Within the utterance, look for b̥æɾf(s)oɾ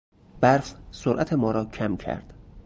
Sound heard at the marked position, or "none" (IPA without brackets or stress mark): s